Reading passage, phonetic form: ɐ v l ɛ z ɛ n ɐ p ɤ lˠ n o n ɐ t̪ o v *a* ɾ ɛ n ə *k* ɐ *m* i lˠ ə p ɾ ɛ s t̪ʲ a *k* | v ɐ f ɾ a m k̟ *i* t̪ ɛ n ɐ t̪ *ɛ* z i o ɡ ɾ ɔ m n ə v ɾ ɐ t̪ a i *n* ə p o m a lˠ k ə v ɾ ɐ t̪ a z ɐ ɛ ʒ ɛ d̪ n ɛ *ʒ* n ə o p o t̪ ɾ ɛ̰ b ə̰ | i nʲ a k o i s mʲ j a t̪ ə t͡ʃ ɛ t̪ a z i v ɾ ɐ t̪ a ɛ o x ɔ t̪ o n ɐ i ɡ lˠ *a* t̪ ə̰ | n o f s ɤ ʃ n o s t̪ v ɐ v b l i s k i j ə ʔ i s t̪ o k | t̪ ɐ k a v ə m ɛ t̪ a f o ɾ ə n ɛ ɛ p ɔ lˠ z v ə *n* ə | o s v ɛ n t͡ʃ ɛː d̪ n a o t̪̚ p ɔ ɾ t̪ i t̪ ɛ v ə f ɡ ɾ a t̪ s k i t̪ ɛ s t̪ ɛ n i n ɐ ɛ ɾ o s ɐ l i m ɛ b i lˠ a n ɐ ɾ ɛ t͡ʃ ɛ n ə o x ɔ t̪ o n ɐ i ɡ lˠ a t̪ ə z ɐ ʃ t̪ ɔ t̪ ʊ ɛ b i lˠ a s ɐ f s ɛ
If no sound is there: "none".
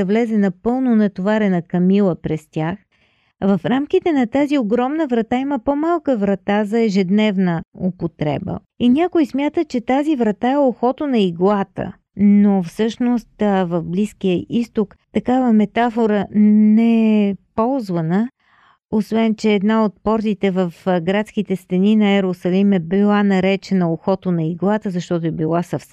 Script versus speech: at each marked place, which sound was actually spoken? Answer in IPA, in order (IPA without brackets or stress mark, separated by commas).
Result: a, k, m, x, i, a, m, v, a, n